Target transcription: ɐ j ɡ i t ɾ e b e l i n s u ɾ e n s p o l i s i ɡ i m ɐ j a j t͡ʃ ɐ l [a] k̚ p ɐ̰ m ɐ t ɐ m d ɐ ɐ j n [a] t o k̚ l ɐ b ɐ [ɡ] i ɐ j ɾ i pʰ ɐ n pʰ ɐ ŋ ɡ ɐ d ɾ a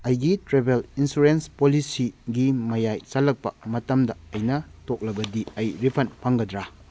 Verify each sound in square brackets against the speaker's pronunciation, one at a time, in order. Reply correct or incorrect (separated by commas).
incorrect, incorrect, incorrect